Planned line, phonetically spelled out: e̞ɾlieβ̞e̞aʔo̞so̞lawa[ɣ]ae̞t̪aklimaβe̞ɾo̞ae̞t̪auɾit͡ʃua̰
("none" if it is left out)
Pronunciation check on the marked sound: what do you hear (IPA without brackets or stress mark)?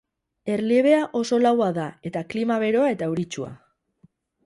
ð